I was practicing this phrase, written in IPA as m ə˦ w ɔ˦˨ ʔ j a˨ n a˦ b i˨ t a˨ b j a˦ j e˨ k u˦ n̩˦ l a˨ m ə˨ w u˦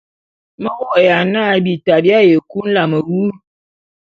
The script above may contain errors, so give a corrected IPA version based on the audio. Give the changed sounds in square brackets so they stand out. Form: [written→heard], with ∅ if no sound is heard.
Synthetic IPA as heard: m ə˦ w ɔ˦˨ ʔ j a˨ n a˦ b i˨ t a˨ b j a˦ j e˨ k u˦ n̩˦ l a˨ m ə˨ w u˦